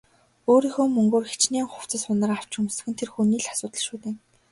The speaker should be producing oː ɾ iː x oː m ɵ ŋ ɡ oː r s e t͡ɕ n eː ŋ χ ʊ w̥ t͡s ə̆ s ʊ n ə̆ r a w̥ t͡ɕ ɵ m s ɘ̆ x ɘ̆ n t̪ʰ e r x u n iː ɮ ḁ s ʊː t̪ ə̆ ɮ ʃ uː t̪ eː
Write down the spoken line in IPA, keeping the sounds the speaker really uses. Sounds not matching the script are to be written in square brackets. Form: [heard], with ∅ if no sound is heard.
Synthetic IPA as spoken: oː ɾ iː x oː m ɵ ŋ ɡ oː r [x] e t͡ɕ n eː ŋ χ ʊ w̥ t͡s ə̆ s ʊ n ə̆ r a w̥ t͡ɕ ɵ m s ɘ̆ x ɘ̆ n t̪ʰ e r x u n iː ɮ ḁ s ʊː t̪ ə̆ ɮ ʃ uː t̪ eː